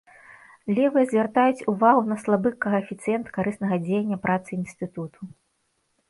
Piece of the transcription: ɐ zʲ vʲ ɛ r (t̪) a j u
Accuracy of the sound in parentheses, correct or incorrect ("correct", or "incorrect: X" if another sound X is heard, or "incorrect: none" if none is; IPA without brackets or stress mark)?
correct